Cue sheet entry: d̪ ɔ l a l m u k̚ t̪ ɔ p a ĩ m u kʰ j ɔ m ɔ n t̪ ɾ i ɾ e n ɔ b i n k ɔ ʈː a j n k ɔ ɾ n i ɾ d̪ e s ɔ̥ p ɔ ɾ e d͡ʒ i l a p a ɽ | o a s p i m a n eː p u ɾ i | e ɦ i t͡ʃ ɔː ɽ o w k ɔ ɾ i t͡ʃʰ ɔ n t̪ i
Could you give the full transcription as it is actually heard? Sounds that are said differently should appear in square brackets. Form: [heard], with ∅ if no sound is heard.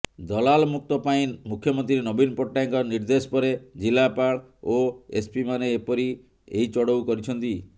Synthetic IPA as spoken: d̪ ɔ l a l m u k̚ t̪ ɔ p a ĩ m u kʰ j ɔ m ɔ n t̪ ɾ i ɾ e n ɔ b i n [p] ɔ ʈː a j [ŋ] k ɔ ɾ n i ɾ d̪ e s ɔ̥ p ɔ ɾ e d͡ʒ i l a p a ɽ | o [e] s p i m a n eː p [ɔ] ɾ i | e ɦ i t͡ʃ [ɔ] ɽ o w k ɔ ɾ i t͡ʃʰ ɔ n t̪ i